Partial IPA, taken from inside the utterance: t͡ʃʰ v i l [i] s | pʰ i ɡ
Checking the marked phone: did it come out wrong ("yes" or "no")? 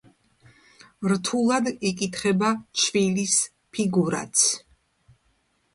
no